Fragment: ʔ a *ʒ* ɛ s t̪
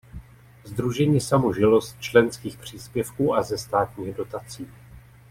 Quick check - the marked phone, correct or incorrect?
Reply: incorrect